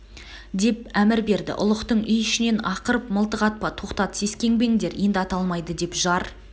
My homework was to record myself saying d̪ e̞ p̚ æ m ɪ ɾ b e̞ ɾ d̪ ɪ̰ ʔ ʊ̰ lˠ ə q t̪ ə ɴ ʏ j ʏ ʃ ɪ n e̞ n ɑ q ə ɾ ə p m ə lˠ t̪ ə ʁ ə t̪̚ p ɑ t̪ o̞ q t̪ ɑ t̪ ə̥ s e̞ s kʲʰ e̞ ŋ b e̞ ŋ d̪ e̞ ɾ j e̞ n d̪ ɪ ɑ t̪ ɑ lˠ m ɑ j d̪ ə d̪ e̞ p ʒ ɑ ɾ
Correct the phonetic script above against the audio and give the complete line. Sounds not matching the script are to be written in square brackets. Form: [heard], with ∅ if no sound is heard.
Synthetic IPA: d̪ e̞ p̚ æ m ɪ ɾ b e̞ ɾ d̪ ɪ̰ ʔ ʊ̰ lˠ ə q t̪ ə ɴ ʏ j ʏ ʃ ɪ n e̞ n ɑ q ə ɾ ə p m ə lˠ t̪ ə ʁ [ɑ] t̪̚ p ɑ [t̪ʰ] o̞ q t̪ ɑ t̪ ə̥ s e̞ s [kʲ] e̞ ŋ b e̞ ŋ d̪ e̞ ɾ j e̞ n d̪ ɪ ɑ t̪ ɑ lˠ m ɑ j d̪ ə d̪ e̞ p ʒ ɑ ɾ